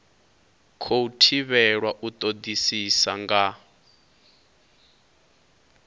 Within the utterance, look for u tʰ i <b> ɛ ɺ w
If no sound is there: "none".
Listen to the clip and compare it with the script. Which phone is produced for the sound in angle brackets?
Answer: β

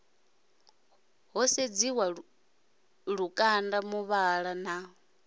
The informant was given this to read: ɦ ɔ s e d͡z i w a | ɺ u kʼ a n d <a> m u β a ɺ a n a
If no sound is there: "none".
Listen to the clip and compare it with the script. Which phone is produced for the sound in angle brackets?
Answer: a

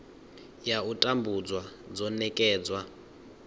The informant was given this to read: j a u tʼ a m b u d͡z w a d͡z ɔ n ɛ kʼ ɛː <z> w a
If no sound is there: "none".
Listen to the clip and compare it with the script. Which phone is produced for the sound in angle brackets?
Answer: d͡z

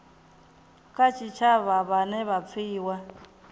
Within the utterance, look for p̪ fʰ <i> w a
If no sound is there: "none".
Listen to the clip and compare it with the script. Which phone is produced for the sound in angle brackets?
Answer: iː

